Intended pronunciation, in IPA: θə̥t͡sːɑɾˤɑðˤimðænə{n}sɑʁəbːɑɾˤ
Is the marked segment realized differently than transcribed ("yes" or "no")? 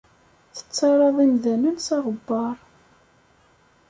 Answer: no